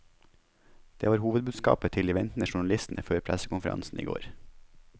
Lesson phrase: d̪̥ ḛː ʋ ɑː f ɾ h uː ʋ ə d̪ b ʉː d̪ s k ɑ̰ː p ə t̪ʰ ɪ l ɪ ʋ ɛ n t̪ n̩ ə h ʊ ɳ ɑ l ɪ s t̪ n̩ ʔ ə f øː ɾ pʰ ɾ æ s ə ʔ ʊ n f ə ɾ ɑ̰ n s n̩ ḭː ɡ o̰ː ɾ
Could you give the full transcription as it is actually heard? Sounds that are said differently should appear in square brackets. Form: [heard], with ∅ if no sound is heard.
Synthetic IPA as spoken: d̪̥ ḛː ʋ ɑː [∅] ɾ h uː ʋ ə d̪ b ʉː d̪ s k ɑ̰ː p ə t̪ʰ ɪ l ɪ ʋ ɛ n t̪ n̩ ə [ʃ] ʊ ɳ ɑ l ɪ s t̪ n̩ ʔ ə f øː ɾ pʰ ɾ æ s ə [k] ʊ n f ə ɾ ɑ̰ n s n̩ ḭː ɡ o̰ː ɾ